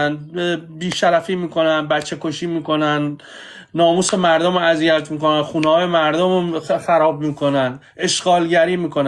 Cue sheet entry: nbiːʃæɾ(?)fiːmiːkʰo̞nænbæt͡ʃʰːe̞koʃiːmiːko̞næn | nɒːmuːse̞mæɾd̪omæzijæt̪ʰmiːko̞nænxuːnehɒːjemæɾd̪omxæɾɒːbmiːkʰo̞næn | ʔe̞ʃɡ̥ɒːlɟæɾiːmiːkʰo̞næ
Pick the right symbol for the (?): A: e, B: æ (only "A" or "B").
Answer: B